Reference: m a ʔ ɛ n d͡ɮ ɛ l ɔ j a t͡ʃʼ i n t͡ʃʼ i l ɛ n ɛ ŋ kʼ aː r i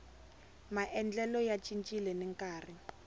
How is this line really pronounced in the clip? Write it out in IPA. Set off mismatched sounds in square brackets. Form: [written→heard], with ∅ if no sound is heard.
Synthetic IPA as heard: m a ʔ ɛ n d͡ɮ ɛ l ɔ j a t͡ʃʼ i n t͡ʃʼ i l ɛ n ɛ ŋ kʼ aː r i